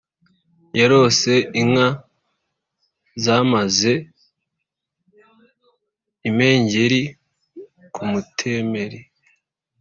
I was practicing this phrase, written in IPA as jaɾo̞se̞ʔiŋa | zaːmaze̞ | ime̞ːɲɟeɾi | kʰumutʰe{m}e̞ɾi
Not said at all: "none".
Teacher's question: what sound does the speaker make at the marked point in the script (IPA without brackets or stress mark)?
m